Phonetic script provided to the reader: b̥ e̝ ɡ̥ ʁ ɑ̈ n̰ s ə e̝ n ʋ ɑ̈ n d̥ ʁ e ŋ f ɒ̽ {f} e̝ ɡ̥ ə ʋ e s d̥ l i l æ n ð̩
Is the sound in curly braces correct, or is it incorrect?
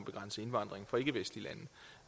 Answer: incorrect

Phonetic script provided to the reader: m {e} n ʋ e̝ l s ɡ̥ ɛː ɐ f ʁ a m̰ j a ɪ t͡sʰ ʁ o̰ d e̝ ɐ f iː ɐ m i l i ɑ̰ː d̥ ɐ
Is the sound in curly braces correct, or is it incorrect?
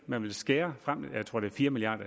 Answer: incorrect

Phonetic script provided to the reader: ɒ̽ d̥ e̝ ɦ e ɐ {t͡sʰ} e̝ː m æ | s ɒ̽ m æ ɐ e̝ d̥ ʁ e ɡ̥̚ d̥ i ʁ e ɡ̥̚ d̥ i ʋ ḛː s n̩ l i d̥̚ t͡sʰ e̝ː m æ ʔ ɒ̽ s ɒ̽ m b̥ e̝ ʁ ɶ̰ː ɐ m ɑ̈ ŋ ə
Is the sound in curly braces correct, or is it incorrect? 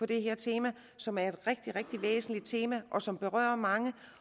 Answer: correct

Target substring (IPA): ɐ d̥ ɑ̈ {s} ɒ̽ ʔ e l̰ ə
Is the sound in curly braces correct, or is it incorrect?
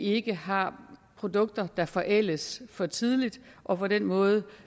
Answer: incorrect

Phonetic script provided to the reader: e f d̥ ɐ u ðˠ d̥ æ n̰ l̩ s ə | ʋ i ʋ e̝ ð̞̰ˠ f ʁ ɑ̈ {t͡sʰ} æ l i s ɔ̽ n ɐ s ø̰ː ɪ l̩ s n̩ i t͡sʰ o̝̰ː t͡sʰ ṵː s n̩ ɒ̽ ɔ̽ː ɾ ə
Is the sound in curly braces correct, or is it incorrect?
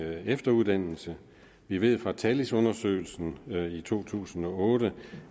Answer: correct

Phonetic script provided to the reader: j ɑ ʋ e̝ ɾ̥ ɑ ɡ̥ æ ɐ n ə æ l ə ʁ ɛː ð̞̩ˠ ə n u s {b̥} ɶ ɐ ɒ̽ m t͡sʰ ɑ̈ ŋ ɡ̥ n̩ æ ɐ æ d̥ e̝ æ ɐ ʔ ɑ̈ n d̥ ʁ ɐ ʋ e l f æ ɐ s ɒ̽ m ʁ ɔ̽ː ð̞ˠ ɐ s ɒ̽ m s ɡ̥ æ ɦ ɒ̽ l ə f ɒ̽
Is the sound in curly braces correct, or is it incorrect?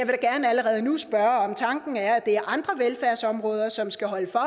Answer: correct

